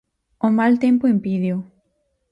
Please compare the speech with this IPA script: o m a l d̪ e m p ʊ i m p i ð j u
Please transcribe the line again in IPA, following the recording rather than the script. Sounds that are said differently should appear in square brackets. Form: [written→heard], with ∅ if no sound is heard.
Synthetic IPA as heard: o m a l [d̪→t̪] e m p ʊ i m p i ð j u